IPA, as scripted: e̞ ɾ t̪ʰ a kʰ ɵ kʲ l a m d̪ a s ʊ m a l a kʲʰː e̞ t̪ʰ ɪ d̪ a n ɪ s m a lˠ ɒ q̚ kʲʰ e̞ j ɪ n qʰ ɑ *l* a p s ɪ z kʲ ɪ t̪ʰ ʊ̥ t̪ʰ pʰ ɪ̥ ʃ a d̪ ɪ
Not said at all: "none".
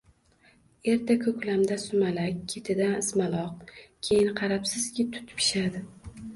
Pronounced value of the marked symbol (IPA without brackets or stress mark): ɾ